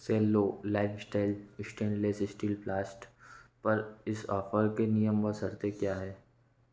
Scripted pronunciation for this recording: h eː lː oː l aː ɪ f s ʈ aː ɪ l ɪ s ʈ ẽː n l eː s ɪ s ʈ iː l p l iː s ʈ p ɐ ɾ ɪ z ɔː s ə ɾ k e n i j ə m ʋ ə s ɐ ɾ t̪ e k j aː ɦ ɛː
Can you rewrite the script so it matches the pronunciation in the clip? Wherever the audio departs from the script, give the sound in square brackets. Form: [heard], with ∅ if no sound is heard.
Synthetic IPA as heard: [s] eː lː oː l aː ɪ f s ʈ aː ɪ l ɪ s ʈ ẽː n l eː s ɪ s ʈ iː l p l [aː] s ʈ p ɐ ɾ ɪ [s] ɔː [f] ə ɾ k e n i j ə m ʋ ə s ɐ ɾ t̪ e k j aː ɦ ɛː

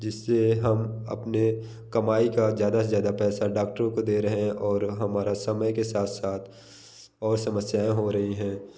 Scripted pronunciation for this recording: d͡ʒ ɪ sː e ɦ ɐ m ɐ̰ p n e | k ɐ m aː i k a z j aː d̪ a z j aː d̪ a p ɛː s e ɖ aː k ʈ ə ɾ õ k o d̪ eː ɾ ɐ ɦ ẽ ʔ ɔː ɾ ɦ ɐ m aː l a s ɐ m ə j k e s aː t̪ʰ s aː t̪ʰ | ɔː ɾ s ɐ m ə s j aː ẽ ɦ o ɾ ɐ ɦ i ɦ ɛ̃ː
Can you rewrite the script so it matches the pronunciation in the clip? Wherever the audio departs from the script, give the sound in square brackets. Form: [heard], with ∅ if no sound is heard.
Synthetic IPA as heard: d͡ʒ ɪ sː e ɦ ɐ m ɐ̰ p n e | k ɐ m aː i k a z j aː d̪ a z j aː d̪ a p ɛː s [a] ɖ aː k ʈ ə ɾ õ k o d̪ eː ɾ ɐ ɦ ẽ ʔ ɔː ɾ ɦ ɐ m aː [ɾ] a s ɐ m ə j k e s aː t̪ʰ s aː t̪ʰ | ɔː ɾ s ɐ m ə s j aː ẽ ɦ o ɾ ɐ ɦ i ɦ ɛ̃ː

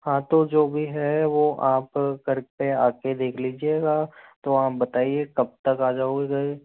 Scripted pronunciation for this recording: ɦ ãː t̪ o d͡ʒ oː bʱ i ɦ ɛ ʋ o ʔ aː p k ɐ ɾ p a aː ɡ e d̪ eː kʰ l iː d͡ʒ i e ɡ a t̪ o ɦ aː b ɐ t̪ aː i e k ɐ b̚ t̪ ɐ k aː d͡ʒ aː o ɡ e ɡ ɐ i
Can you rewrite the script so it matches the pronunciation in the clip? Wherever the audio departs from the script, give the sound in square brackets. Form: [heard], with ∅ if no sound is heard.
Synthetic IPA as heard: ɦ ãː t̪ o d͡ʒ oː bʱ i ɦ ɛ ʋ o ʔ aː p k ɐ ɾ p [e] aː [k] e d̪ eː kʰ l iː d͡ʒ i e ɡ a t̪ o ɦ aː b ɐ t̪ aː i e k ɐ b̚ t̪ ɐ k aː d͡ʒ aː o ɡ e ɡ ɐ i

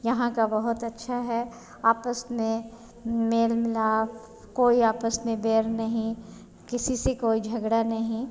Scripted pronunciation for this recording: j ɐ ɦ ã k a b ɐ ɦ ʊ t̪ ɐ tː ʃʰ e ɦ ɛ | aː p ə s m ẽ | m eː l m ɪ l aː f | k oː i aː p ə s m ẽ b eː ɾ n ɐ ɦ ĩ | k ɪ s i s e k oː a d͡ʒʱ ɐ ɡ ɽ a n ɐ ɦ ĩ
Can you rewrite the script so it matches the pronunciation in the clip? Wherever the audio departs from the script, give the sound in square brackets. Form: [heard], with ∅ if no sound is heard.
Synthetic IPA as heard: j ɐ ɦ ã k a b ɐ ɦ ʊ t̪ ɐ tː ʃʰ [a] ɦ ɛ | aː p ə s m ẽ | m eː l m ɪ l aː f | k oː i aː p ə s m ẽ b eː ɾ n ɐ ɦ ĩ | k ɪ s i s e k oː [i] d͡ʒʱ ɐ ɡ ɽ a n ɐ ɦ ĩ

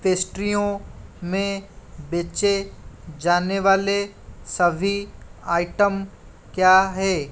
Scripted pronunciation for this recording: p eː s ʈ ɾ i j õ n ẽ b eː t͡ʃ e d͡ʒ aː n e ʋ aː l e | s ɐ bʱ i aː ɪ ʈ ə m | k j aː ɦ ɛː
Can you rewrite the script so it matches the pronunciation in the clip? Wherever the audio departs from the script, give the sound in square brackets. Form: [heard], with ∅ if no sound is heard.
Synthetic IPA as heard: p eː s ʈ ɾ i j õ [m] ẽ b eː t͡ʃ e d͡ʒ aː n e ʋ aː l e | s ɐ bʱ i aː ɪ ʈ ə m | k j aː ɦ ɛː

